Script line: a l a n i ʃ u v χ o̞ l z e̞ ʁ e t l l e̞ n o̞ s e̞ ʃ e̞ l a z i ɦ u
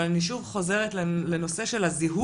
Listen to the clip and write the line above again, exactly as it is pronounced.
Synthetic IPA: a l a n i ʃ u v χ o̞ z e̞ ʁ e t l l e̞ n o̞ s e̞ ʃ e̞ l a z i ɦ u